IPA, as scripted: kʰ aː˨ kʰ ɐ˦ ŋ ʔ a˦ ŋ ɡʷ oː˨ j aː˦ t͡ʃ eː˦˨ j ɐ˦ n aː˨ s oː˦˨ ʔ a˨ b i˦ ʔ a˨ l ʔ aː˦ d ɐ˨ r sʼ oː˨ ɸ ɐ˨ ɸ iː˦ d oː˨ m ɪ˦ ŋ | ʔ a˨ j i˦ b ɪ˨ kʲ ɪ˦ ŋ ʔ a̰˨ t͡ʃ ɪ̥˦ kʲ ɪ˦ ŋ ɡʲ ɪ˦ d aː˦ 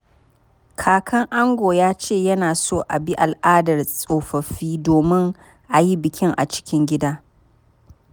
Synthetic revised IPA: kʰ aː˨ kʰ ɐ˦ ŋ ʔ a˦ ŋ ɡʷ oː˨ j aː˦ t͡ʃ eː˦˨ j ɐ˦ n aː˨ s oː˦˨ ʔ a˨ b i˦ ʔ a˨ l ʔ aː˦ d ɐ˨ r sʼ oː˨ ɸ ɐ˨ ɸ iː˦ d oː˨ m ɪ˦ ŋ | ʔ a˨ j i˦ b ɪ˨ kʲ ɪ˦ ŋ ʔ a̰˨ t͡ʃ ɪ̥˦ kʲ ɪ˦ ŋ ɡʲ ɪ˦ d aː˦